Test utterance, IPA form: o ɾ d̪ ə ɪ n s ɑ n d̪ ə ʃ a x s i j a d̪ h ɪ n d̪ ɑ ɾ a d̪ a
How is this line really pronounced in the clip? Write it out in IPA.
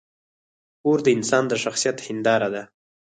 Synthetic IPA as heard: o ɾ d̪ ə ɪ n s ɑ n d̪ ə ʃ a x s i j a t̪ h ɪ n d̪ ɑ ɾ a d̪ a